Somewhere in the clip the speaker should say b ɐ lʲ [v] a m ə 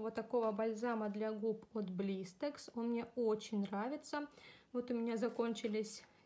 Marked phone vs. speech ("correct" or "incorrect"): incorrect